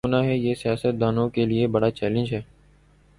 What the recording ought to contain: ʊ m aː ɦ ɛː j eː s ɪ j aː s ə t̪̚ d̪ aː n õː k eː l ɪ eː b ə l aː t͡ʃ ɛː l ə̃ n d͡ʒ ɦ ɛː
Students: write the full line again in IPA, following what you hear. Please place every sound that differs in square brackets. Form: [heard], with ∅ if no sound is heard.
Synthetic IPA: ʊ [n] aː ɦ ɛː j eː s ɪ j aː s ə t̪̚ d̪ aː n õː k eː l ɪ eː b ə [ɽ] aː t͡ʃ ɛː l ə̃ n d͡ʒ ɦ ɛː